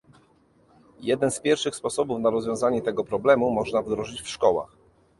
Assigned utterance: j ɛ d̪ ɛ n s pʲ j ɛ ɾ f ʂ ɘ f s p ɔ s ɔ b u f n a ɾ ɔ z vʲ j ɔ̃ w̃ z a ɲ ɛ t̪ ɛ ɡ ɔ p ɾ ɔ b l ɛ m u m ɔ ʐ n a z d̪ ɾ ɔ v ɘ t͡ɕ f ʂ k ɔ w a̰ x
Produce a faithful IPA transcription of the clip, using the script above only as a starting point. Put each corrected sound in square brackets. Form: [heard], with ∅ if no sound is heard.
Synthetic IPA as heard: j ɛ d̪ ɛ n s pʲ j ɛ ɾ f ʂ ɘ [x] s p ɔ s ɔ b u f n a ɾ ɔ z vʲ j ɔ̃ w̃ z a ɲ ɛ t̪ ɛ ɡ ɔ p ɾ ɔ b l ɛ m u m ɔ ʐ n a [v] d̪ ɾ ɔ [ʐ] ɘ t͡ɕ f ʂ k ɔ w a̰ x